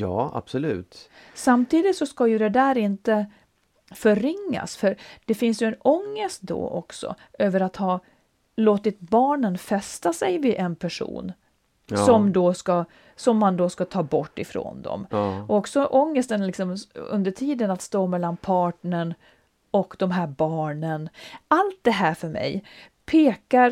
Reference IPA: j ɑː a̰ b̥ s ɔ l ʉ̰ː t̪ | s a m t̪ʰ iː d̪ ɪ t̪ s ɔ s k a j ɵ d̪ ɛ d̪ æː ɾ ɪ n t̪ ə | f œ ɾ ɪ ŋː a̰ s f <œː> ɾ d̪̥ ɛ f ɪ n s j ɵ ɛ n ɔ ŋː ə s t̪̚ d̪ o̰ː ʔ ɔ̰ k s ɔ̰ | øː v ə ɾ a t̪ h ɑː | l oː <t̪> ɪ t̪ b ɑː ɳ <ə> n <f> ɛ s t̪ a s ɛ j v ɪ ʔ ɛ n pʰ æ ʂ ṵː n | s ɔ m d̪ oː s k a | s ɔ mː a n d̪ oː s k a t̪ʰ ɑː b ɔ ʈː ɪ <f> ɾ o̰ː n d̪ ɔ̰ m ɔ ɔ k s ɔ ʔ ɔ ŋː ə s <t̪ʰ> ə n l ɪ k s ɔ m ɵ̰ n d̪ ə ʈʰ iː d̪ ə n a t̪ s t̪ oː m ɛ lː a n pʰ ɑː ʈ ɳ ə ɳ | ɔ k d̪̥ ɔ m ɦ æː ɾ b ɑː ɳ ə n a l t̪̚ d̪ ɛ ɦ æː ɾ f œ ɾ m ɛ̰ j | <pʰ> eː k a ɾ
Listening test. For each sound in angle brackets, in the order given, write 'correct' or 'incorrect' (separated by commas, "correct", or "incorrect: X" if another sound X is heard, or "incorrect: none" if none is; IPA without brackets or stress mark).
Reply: incorrect: œ, correct, correct, correct, correct, incorrect: t̪, correct